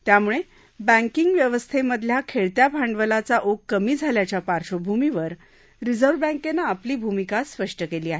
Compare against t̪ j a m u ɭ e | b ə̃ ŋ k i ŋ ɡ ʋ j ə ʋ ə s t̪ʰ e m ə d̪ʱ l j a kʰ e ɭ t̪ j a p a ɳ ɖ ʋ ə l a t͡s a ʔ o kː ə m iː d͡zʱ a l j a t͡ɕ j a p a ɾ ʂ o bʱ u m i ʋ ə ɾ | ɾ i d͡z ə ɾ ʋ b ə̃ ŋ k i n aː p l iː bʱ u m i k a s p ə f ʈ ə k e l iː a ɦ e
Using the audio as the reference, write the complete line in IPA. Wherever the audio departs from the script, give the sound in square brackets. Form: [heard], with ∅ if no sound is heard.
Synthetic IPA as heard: t̪ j a m u ɭ e | b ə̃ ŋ k i ŋ ɡ ʋ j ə ʋ ə s t̪ʰ e m ə d̪ʱ l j a kʰ e ɭ t̪ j a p a ɳ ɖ ʋ ə l a t͡s a ʔ o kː ə m iː d͡zʱ a l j a t͡ɕ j a p a ɾ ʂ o bʱ u m i ʋ ə ɾ | ɾ i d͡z ə ɾ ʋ b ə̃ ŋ k [e] n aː p l iː bʱ u m i k a s p ə [ʂ] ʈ ə k e l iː a ɦ e

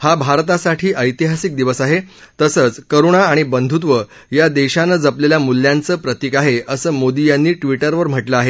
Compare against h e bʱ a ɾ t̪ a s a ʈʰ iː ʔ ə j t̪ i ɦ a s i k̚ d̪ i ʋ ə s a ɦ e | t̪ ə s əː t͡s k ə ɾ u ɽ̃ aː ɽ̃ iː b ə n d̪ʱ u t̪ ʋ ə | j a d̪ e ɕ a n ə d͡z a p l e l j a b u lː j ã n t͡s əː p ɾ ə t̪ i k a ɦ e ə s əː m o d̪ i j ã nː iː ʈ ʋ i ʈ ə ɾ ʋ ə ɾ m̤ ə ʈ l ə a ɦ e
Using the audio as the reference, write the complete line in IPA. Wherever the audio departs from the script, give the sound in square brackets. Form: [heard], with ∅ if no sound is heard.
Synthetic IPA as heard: h [a] bʱ a ɾ t̪ a s a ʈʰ iː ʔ ə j t̪ i ɦ a s i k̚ d̪ i ʋ ə s a ɦ e | t̪ ə s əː t͡s k ə ɾ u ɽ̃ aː ɽ̃ [i] b ə n d̪ʱ u t̪ ʋ ə | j a d̪ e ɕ a n ə d͡z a p l e l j a [m] u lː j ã n t͡s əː p ɾ ə t̪ i k a ɦ e ə s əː m o d̪ i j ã nː iː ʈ ʋ i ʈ ə ɾ ʋ ə ɾ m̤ ə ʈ l ə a ɦ e

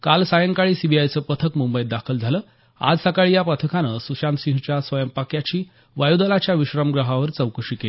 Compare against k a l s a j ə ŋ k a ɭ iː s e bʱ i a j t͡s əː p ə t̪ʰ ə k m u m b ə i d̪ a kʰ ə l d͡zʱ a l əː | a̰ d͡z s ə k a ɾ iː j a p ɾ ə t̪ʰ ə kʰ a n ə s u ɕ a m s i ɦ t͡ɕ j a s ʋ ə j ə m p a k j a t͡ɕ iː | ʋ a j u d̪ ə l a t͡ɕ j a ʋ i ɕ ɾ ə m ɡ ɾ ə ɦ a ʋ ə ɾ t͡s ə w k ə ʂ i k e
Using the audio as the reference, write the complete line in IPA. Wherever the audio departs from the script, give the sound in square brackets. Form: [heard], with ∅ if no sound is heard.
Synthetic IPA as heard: k a l s a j ə ŋ k a ɭ iː s [i] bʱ i a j t͡s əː p ə t̪ʰ ə k m u m b ə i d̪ a kʰ ə l d͡zʱ a l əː | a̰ d͡z s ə k a [ɭ] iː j a p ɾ ə t̪ʰ ə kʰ a n ə s u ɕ a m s i ɦ t͡ɕ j a s ʋ ə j ə m p a k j a t͡ɕ iː | ʋ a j u d̪ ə l a t͡ɕ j a ʋ i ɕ ɾ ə m ɡ ɾ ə ɦ a ʋ ə ɾ t͡s ə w k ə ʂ i k e

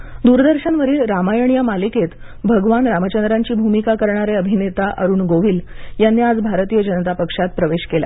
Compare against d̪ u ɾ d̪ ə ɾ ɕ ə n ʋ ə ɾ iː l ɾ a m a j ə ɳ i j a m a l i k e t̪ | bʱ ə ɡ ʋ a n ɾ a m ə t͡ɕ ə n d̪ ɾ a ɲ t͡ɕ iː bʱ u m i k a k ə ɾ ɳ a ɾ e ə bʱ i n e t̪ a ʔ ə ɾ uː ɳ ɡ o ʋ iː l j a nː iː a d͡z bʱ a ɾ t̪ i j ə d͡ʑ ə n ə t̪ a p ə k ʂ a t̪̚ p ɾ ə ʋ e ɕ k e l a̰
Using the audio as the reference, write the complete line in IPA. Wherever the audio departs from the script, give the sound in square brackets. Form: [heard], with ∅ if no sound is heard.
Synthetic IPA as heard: d̪ u ɾ d̪ ə ɾ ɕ ə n ʋ ə ɾ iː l ɾ a m a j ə ɳ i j a m a l i k e t̪ | bʱ ə ɡ ʋ a n ɾ a m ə t͡ɕ ə n d̪ ɾ a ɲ t͡ɕ iː bʱ u m i k a k ə ɾ ɳ a ɾ e ə bʱ i n e t̪ a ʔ ə ɾ uː ɳ ɡ o ʋ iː l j a nː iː a d͡z bʱ a ɾ t̪ i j ə d͡ʑ ə n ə t̪ a p ə k ʂ a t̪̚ p ɾ ə ʋ e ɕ k e l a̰

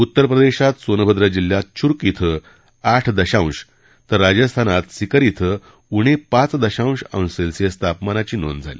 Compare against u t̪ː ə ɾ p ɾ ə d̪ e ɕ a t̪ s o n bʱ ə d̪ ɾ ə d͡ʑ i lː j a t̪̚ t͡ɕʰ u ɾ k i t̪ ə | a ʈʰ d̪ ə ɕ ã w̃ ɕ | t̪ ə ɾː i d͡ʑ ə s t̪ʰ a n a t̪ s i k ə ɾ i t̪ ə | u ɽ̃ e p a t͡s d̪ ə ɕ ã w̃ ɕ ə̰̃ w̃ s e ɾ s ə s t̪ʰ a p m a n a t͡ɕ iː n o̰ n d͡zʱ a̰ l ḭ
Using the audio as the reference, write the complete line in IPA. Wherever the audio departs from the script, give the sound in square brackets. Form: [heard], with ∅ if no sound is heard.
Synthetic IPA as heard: u t̪ː ə ɾ p ɾ ə d̪ e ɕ a t̪ s o n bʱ ə d̪ ɾ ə d͡ʑ i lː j a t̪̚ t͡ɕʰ u ɾ k i [t̪ʰ] ə | a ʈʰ d̪ ə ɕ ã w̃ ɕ | t̪ ə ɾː [a] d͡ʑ ə s t̪ʰ a n a t̪ s i k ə ɾ i [t̪ʰ] ə | u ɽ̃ e p a t͡s d̪ ə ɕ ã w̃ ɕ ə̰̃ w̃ s e [l] s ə s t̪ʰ a p m a n a t͡ɕ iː n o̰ n d͡zʱ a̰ l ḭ

